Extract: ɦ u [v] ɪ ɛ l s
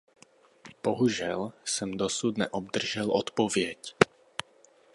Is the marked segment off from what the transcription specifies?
yes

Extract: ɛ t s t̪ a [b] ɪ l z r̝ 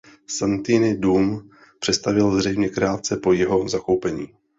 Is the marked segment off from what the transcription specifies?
yes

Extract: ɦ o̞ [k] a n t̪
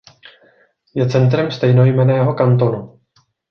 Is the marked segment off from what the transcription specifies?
no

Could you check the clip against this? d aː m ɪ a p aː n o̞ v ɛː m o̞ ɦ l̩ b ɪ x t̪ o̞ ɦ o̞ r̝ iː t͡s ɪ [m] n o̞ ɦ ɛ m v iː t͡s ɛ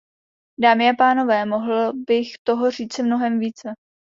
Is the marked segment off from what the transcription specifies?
no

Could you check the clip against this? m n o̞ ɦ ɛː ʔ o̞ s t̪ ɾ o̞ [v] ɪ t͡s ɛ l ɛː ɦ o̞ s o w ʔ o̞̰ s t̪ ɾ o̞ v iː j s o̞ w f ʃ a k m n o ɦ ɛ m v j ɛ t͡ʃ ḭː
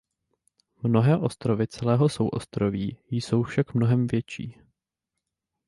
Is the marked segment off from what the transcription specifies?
no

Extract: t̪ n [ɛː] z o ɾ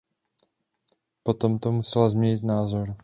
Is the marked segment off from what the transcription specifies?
yes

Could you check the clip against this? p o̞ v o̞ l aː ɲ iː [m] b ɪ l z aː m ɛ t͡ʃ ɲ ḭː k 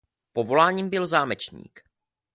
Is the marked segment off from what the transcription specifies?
no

